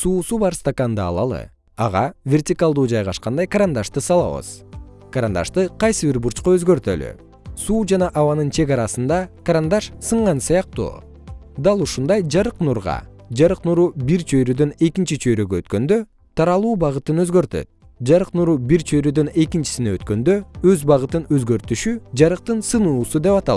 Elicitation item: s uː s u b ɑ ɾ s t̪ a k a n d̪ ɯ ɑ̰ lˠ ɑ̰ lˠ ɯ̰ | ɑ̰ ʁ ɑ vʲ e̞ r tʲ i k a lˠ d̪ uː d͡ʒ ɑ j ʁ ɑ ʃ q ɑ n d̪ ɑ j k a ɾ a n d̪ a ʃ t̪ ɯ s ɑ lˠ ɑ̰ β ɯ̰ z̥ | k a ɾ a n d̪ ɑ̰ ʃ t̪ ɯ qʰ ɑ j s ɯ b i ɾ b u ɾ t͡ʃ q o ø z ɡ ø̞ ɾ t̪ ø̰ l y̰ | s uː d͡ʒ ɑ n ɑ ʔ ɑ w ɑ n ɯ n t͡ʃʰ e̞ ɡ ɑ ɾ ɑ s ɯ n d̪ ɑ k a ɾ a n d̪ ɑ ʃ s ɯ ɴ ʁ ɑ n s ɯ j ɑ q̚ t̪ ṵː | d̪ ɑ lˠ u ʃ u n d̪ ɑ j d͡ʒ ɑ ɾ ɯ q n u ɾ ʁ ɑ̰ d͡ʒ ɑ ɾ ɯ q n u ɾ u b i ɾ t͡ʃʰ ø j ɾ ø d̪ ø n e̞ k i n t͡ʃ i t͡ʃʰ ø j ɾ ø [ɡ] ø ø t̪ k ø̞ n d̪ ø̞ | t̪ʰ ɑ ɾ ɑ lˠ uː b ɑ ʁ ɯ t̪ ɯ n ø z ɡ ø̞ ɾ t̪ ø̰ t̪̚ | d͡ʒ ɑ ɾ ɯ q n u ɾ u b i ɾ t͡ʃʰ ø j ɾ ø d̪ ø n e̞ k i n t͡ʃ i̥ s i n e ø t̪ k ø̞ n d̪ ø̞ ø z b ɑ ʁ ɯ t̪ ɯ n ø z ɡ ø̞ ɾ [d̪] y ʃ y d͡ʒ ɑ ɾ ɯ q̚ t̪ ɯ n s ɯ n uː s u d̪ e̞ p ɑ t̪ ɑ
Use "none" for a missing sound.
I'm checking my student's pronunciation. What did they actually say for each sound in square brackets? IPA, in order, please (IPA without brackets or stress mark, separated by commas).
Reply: ɡ, t̪